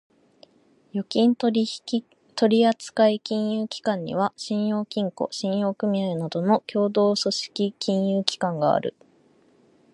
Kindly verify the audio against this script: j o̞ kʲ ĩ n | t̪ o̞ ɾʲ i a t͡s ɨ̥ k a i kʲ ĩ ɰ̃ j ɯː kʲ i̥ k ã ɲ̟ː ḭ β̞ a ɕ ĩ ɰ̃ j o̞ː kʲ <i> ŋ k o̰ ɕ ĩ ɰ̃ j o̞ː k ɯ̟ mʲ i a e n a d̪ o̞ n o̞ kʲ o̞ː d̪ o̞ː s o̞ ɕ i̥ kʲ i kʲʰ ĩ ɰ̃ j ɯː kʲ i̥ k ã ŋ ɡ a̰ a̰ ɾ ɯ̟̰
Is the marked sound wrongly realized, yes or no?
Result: yes